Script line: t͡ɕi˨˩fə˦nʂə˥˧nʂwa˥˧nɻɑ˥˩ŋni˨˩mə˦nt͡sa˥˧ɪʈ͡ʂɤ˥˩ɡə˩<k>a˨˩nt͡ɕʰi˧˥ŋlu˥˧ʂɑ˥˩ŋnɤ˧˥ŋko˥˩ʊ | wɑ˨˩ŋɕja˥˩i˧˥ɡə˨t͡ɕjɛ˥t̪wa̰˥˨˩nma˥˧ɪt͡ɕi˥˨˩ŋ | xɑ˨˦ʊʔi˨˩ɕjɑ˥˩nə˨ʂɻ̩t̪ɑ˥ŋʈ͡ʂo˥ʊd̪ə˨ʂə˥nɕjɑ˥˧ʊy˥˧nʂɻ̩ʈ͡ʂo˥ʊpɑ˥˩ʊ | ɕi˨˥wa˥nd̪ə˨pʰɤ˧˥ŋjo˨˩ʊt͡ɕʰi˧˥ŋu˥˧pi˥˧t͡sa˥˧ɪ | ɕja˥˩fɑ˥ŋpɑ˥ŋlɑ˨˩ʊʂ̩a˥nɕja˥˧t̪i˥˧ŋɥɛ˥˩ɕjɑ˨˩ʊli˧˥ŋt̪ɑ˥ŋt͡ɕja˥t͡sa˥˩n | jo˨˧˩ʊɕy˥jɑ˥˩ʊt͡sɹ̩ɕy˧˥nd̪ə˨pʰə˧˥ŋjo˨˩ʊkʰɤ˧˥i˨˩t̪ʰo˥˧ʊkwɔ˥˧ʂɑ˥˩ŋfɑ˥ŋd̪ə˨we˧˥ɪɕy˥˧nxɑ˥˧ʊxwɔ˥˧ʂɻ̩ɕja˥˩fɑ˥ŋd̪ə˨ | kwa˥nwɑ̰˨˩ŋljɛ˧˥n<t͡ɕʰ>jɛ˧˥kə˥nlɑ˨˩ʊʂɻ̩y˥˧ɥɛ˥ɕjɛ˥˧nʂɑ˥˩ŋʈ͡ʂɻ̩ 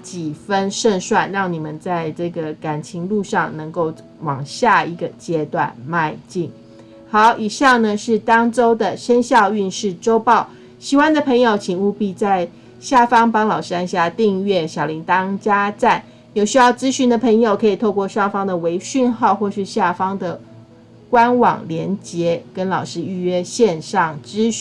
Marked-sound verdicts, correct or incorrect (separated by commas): correct, incorrect